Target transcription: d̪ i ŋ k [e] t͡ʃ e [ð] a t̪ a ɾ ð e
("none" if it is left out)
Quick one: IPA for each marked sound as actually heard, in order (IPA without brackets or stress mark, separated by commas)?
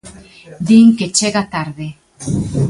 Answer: e, ɣ